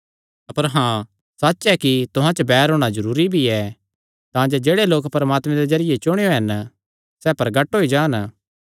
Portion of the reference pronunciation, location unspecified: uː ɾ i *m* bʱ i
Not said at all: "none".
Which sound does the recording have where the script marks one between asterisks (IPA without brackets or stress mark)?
none